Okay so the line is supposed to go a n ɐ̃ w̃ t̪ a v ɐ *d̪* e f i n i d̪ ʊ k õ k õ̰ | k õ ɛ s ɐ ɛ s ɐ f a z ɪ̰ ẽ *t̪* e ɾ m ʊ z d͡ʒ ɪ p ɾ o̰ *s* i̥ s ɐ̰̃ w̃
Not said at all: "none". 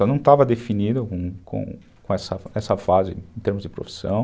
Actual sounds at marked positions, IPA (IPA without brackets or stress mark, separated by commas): d̪, t̪, f